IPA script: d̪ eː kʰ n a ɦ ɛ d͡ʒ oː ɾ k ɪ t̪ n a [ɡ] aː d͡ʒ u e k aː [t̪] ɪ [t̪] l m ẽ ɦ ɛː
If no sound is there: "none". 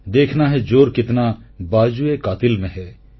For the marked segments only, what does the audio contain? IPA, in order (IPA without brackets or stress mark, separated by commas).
b, t̪, none